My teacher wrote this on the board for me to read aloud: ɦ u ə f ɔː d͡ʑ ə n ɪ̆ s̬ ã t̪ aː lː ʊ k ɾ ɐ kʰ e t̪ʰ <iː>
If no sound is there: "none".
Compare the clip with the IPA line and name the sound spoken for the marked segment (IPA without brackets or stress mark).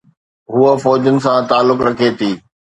iː